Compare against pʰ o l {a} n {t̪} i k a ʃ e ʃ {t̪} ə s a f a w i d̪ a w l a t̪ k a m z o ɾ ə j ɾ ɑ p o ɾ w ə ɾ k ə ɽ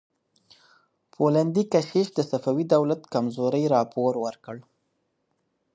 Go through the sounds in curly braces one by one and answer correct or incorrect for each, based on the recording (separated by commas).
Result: correct, incorrect, incorrect